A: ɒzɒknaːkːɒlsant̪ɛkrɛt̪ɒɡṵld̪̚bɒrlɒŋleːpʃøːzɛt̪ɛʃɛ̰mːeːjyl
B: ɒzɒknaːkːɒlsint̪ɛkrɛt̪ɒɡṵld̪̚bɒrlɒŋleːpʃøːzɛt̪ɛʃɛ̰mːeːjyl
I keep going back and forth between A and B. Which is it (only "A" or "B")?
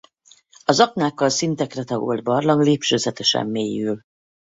B